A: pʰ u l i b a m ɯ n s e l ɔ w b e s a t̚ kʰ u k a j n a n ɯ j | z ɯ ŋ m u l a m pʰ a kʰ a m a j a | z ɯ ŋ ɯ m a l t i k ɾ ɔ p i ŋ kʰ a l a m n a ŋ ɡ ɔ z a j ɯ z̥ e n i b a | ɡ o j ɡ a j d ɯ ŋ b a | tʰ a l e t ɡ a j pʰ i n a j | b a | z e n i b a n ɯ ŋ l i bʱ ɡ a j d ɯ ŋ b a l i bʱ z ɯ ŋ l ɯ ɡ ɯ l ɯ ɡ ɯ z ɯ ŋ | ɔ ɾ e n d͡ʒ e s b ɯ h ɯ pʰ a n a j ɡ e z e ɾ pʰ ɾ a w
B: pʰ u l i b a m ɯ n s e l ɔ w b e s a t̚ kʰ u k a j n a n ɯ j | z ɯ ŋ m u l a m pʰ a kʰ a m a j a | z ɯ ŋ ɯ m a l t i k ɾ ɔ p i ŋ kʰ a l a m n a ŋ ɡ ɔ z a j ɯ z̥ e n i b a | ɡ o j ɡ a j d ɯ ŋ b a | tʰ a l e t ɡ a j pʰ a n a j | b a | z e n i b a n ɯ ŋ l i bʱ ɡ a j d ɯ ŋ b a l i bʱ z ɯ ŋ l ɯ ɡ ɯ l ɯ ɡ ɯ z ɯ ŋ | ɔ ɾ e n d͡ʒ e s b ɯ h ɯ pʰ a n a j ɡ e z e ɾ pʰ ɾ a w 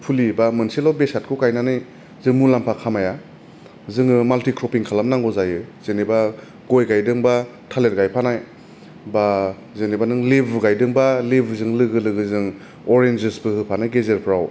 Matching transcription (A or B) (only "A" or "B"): B